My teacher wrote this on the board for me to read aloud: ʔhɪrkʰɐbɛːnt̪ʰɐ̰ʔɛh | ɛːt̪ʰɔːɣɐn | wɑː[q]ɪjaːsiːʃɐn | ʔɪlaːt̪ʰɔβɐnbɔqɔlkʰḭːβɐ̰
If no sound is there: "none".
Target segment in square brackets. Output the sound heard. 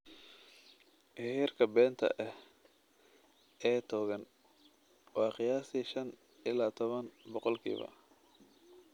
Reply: q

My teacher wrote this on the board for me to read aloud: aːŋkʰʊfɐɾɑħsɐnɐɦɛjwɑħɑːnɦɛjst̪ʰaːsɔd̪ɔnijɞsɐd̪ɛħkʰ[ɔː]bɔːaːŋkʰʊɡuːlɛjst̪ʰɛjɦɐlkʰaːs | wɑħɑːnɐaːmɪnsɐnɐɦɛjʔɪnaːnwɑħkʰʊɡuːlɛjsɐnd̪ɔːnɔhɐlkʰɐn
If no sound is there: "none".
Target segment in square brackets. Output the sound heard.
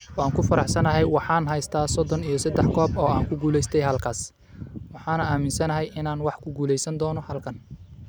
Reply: ɔː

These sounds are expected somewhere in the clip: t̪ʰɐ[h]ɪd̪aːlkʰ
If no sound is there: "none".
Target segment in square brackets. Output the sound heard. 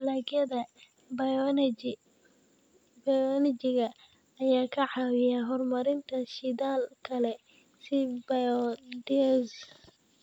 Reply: ʃ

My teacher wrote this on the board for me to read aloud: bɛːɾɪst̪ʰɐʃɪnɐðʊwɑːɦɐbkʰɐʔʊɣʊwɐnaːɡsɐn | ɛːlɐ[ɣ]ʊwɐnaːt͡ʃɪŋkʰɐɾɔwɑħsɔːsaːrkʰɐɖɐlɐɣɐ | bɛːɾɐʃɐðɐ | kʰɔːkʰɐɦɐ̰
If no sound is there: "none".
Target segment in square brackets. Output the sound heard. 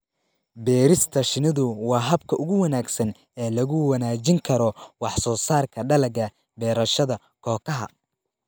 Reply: ɣ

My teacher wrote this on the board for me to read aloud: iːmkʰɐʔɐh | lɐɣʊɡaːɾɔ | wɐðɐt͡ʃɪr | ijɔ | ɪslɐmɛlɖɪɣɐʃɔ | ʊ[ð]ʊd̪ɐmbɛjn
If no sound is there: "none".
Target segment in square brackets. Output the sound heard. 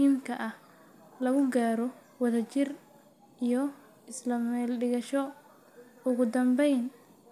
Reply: ɣ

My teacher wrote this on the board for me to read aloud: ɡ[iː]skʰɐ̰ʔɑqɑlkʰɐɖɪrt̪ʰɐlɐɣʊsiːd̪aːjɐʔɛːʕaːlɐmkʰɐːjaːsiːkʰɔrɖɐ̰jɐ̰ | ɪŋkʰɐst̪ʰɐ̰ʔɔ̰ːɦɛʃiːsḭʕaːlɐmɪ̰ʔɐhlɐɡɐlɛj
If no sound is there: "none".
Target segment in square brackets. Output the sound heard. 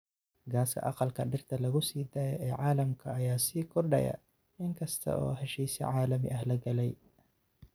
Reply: aː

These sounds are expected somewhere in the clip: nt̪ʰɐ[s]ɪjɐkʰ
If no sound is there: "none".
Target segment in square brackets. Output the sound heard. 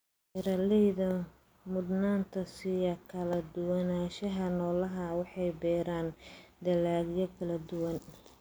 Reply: s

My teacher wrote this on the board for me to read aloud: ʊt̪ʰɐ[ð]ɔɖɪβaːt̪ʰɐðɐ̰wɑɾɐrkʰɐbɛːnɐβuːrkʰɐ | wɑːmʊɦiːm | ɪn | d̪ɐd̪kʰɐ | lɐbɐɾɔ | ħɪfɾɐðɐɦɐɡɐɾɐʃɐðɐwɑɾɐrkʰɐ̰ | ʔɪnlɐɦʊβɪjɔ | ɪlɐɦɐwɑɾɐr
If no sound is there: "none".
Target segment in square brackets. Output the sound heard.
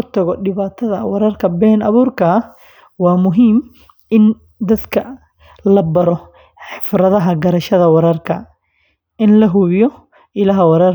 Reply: ɣ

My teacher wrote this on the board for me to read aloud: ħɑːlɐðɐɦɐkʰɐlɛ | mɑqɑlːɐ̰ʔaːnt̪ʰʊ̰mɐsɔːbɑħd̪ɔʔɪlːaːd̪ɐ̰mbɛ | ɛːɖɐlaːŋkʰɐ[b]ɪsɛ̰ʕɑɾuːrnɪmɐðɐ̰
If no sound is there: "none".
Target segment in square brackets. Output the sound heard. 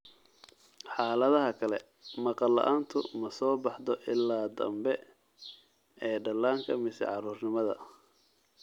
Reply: m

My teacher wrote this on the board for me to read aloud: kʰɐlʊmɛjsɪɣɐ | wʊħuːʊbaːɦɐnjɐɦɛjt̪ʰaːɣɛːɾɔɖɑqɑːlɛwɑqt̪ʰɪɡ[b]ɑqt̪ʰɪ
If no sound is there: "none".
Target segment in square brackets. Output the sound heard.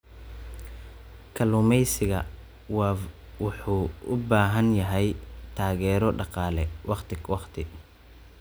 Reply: w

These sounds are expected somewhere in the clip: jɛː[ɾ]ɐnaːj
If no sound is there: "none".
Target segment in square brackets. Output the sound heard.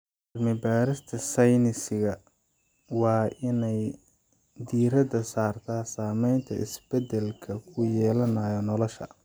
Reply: l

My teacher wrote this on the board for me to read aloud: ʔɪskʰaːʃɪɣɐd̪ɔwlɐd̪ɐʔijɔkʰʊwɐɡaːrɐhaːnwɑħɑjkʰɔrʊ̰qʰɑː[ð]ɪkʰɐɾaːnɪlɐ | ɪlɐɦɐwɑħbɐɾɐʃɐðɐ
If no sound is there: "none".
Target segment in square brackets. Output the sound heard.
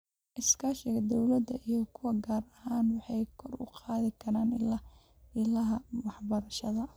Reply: ð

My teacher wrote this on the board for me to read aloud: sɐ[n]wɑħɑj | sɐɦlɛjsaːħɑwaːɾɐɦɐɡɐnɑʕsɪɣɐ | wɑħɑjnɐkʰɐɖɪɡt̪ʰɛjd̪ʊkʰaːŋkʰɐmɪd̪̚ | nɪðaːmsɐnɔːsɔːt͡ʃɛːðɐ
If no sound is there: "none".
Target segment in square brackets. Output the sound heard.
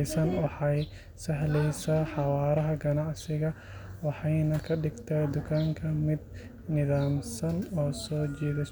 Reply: n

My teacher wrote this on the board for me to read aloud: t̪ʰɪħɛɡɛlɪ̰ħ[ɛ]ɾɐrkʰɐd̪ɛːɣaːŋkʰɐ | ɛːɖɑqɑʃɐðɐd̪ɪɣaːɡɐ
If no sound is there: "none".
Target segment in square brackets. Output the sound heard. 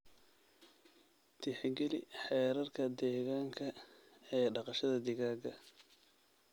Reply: ɛː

